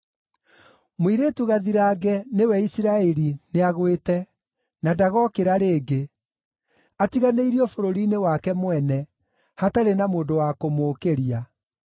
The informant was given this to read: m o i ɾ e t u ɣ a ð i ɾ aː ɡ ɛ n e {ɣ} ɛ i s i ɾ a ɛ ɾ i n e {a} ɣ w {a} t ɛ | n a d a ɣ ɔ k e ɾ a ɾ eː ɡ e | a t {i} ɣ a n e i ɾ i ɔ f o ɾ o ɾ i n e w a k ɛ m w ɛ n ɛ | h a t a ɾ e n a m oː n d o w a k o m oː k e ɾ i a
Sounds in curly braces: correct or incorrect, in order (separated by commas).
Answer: incorrect, correct, incorrect, correct